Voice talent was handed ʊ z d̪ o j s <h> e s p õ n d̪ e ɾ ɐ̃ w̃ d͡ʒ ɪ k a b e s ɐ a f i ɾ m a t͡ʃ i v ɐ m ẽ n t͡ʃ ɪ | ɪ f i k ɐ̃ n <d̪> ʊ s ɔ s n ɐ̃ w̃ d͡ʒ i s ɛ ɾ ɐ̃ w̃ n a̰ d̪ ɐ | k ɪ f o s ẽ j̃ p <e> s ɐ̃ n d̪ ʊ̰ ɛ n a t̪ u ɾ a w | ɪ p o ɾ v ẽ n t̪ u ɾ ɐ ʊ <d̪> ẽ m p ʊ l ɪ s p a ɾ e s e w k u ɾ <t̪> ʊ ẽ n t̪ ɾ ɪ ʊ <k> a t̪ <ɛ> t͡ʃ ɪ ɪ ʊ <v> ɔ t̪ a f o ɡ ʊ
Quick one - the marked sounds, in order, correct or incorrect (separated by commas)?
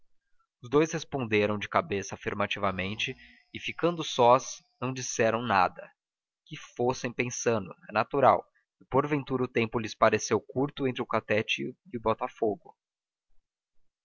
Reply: correct, correct, incorrect, incorrect, correct, correct, correct, incorrect